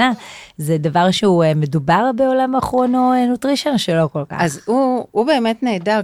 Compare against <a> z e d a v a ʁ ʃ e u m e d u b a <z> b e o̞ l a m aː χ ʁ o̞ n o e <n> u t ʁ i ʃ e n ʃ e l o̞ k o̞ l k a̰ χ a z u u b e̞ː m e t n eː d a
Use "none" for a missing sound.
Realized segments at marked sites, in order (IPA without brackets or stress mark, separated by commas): a, ʁ, n